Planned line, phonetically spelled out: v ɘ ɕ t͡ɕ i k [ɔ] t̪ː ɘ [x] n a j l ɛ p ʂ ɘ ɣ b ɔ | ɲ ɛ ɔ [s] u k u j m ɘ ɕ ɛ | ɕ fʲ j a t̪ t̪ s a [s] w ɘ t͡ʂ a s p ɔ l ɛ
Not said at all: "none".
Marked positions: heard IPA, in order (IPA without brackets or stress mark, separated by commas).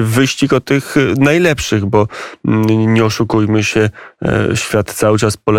ɔ, x, ʂ, none